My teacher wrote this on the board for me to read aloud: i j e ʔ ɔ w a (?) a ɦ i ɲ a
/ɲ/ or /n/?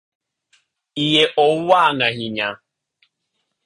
n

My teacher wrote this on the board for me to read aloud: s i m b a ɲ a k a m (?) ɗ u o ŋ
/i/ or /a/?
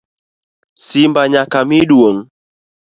i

